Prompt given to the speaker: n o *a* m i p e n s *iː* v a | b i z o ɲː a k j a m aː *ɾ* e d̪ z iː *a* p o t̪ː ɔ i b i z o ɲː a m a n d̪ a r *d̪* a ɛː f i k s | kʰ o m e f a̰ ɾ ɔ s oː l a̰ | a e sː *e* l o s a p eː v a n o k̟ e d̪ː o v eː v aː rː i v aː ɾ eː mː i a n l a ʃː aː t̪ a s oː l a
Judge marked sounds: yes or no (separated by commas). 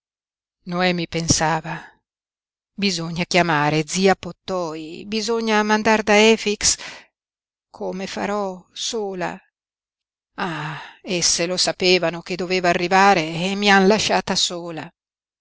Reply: no, no, yes, yes, yes, yes